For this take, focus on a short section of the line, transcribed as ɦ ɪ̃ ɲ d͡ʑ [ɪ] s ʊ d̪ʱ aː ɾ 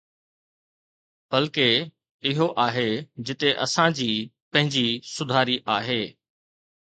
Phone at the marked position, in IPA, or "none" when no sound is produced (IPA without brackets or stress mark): i